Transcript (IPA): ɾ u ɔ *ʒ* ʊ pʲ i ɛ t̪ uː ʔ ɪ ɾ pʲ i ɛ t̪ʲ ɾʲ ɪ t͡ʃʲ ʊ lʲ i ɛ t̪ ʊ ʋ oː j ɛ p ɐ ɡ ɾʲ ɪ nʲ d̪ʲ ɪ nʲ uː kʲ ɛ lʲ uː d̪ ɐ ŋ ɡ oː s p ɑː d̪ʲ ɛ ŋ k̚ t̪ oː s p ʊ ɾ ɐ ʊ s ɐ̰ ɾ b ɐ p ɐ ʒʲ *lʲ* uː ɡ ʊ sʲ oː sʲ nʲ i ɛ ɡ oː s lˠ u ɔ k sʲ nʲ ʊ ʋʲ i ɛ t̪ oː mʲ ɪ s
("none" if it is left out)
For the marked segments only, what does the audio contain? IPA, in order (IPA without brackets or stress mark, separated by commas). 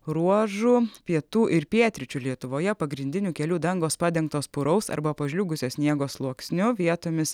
ʒ, lʲ